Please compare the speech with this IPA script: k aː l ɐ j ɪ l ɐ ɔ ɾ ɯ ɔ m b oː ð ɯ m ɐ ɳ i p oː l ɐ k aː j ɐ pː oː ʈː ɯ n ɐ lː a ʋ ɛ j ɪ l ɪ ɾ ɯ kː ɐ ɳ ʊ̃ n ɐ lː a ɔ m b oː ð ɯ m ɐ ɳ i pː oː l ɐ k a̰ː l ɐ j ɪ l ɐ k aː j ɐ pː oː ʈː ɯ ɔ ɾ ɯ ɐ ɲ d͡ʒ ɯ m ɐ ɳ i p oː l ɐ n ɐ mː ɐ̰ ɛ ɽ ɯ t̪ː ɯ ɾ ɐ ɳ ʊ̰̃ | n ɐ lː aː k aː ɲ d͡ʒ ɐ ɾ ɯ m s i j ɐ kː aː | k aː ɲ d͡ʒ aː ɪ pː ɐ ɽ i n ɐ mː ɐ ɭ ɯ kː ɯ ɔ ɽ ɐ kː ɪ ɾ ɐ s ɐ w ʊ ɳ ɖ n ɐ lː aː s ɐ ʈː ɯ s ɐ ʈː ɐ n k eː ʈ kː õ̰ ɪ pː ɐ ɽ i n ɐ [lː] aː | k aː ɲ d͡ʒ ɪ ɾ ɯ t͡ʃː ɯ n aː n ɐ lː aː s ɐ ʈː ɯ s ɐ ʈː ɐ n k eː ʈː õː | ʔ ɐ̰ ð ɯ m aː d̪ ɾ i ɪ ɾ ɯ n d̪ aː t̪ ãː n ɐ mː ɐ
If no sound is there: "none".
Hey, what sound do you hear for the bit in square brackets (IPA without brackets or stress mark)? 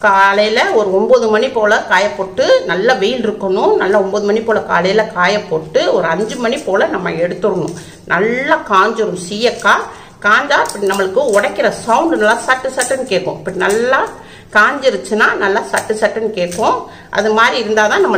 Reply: lː